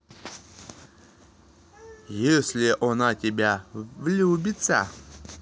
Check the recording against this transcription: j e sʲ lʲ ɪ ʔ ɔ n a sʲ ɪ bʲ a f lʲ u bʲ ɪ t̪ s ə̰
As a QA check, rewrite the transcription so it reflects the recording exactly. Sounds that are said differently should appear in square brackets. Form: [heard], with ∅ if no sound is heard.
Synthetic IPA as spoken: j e sʲ lʲ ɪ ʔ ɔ n a [tʲ] ɪ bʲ a [v] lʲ u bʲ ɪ t̪ s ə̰